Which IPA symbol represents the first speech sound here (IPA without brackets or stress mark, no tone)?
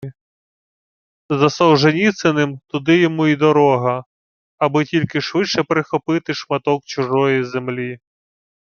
z